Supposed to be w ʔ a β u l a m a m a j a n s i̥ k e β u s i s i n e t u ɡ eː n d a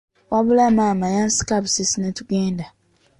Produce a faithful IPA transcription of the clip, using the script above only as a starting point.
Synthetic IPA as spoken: w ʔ a β u l a m a m a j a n s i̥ k a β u s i s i n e t u ɡ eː n d a

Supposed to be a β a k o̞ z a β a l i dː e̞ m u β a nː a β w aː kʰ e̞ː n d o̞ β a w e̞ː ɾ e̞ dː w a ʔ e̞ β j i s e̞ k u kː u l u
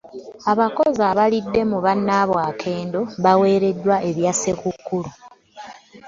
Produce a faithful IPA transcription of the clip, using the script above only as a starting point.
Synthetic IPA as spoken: a β a k o̞ z a β a l i dː e̞ m u β a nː a β w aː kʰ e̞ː n d o̞ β a w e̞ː ɾ e̞ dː w a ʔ e̞ β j a s e̞ k u kː u l u

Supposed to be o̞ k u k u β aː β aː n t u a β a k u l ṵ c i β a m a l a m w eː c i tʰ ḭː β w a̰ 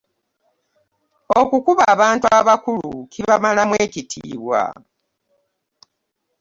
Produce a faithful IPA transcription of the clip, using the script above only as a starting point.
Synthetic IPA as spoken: o̞ k u k u β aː β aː n t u a β a k u l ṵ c i β a m a l a m w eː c i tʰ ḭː β w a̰

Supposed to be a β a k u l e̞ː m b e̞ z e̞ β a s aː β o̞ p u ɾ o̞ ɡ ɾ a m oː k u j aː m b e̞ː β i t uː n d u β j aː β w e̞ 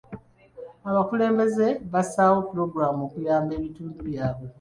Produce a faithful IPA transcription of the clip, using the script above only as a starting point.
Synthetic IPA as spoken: a β a k u l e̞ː m b e̞ z e̞ β a s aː w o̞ p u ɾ o̞ ɡ ɾ a m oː k u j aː m b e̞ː β i t uː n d u β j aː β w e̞

